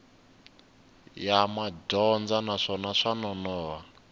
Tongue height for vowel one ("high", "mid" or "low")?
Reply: low